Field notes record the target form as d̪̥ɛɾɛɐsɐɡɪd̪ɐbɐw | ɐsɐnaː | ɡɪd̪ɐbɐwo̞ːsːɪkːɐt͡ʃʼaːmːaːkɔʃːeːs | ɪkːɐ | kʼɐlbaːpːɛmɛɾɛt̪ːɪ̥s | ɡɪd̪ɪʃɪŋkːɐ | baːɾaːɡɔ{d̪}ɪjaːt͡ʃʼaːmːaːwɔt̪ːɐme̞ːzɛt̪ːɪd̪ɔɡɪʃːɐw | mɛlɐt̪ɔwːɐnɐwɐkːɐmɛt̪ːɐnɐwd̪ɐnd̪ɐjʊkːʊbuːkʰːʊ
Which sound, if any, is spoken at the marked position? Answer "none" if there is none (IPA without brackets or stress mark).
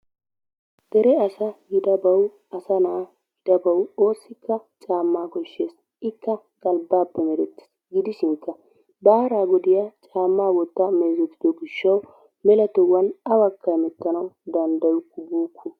d̪